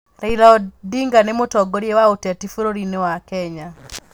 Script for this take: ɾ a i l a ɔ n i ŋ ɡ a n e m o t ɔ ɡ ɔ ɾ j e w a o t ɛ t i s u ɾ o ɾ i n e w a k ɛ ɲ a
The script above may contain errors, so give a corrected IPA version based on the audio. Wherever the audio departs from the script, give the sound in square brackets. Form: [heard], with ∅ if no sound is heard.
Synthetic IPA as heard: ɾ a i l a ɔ [d] i ŋ ɡ a n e m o t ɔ ɡ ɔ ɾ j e w a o t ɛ t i [f] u ɾ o ɾ i n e w a k ɛ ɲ a